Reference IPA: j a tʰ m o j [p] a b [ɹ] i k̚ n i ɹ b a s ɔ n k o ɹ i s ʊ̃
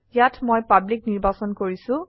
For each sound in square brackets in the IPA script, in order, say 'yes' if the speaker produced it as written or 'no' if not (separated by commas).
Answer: yes, no